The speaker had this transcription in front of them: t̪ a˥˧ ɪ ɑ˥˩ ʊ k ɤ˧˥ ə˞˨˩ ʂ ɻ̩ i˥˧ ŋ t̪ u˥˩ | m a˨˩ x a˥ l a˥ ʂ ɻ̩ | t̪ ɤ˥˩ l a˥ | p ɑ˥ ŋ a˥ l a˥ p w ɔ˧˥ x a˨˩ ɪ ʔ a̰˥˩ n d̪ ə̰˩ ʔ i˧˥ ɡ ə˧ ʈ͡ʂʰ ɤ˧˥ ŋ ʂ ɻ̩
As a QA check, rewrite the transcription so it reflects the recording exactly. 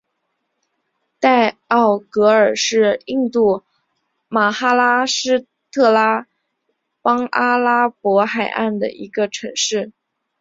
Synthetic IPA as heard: t̪ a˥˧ ɪ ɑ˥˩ ʊ k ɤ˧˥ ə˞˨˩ ʂ ɻ̩ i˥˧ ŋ t̪ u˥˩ | m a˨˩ x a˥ l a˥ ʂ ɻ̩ | t̪ʰ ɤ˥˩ l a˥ | p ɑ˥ ŋ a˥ l a˥ p w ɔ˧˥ x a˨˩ ɪ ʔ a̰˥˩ n d̪ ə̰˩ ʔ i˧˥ ɡ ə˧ ʈ͡ʂʰ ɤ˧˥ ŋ ʂ ɻ̩

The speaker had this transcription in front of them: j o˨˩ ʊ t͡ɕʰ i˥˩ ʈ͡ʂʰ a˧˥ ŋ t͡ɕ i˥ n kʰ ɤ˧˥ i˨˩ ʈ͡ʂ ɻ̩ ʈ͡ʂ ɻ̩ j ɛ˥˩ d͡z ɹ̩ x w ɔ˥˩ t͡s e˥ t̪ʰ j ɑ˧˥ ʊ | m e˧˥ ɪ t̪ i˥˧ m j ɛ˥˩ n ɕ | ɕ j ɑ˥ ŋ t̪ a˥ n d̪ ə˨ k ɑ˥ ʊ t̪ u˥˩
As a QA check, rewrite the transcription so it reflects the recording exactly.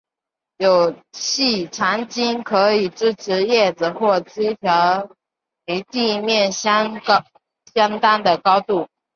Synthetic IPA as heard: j o˨˩ ʊ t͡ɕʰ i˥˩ ʈ͡ʂʰ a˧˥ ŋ t͡ɕ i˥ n kʰ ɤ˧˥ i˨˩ ʈ͡ʂ ɻ̩ ʈ͡ʂʰ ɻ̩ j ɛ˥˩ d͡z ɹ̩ x w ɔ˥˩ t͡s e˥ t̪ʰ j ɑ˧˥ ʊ | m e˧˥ ɪ t̪ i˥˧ m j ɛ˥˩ n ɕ | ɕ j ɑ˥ ŋ t̪ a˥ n d̪ ə˨ k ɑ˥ ʊ t̪ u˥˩

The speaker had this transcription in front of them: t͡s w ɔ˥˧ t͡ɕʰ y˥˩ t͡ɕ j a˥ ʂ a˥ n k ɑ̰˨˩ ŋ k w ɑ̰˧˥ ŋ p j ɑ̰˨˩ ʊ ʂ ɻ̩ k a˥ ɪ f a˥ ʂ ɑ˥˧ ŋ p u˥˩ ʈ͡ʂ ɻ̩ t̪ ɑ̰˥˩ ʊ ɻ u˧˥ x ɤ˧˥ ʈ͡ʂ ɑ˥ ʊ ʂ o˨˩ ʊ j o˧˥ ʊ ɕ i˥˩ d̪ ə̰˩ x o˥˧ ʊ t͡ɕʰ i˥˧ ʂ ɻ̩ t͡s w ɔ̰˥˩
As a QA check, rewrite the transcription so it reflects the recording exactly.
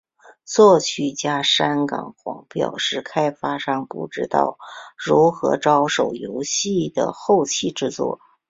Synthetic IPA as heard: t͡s w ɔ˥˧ t͡ɕʰ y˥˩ t͡ɕ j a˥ ʂ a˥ n k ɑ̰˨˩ ŋ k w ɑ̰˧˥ ŋ p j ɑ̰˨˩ ʊ ʂ ɻ̩ kʰ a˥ ɪ f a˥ ʂ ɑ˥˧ ŋ p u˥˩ ʈ͡ʂ ɻ̩ t̪ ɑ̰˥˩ ʊ ɻ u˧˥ x ɤ˧˥ ʈ͡ʂ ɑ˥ ʊ ʂ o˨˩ ʊ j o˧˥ ʊ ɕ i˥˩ d̪ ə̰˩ x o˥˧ ʊ t͡ɕʰ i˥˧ ʈ͡ʂ ɻ̩ t͡s w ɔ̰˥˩

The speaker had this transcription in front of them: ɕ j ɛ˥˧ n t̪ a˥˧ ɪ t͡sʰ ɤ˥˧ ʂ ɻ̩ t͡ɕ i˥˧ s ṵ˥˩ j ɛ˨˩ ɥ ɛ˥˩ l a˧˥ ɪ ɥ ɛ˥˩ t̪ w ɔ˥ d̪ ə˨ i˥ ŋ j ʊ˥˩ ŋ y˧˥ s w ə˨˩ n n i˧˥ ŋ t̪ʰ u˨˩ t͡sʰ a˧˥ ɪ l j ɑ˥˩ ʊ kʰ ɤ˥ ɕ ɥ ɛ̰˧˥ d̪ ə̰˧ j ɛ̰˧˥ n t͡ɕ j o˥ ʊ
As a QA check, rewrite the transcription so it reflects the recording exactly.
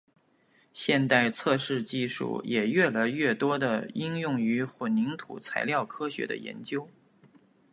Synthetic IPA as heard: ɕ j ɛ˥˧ n t̪ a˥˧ ɪ t͡sʰ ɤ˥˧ ʂ ɻ̩ t͡ɕ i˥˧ ʂ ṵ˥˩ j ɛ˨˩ ɥ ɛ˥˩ l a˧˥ ɪ ɥ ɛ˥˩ t̪ w ɔ˥ d̪ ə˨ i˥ ŋ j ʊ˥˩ ŋ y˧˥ x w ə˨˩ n n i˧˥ ŋ t̪ʰ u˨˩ t͡sʰ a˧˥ ɪ l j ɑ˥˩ ʊ kʰ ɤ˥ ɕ ɥ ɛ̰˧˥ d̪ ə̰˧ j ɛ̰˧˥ n t͡ɕ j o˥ ʊ

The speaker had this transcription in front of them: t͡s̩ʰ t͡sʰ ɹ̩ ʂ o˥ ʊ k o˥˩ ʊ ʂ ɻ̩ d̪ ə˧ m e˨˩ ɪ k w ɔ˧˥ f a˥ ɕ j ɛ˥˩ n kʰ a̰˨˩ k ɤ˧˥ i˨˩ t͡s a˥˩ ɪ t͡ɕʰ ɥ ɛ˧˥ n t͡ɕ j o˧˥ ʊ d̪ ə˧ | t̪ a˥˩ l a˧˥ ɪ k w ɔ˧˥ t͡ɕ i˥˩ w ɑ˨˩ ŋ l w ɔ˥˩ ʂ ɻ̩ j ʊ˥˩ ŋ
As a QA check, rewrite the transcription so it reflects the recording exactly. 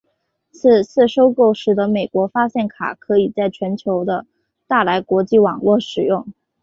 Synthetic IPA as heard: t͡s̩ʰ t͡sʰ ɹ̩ ʂ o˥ ʊ k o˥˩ ʊ ʂ ɻ̩ d̪ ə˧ m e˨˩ ɪ k w ɔ˧˥ f a˥ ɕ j ɛ˥˩ n kʰ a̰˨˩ kʰ ɤ˧˥ i˨˩ t͡s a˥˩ ɪ t͡ɕʰ ɥ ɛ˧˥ n t͡ɕʰ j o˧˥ ʊ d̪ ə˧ | t̪ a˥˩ l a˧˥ ɪ k w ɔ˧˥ t͡ɕ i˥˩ w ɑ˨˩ ŋ l w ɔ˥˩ ʂ ɻ̩ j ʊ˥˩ ŋ

